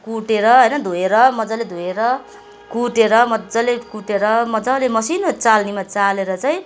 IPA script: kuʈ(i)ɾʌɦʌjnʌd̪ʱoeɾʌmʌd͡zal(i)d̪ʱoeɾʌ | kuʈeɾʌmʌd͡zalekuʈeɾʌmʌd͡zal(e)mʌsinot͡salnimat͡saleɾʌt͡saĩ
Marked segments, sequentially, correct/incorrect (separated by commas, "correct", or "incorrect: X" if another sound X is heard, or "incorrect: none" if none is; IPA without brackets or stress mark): incorrect: e, incorrect: e, correct